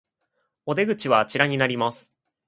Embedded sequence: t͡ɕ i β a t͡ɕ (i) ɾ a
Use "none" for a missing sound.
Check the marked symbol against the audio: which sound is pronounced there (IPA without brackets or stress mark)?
i